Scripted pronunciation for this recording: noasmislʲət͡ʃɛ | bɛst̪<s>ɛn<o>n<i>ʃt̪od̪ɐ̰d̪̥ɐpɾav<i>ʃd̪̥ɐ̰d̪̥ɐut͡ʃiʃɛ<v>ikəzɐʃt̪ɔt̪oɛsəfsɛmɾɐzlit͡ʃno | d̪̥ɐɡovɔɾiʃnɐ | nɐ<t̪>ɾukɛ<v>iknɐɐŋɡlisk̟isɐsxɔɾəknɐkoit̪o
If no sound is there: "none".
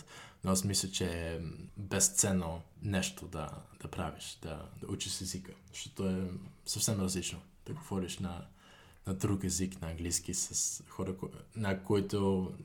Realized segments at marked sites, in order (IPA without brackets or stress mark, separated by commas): s, o, ɛ, i, z, d̪, z